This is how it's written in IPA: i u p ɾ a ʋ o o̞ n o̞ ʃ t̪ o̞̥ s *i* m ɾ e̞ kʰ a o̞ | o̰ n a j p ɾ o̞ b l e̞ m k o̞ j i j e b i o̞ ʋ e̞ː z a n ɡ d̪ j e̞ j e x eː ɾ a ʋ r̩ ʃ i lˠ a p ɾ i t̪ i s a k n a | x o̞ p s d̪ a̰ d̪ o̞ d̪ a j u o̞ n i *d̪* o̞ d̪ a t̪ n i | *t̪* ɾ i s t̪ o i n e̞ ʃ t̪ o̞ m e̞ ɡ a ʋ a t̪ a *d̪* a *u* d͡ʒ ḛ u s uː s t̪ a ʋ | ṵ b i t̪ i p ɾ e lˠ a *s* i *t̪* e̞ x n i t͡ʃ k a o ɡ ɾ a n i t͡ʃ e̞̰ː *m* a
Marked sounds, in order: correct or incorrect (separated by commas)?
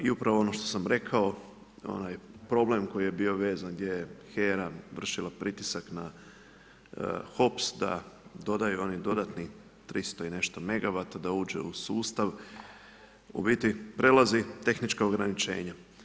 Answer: incorrect, correct, correct, correct, incorrect, incorrect, correct, incorrect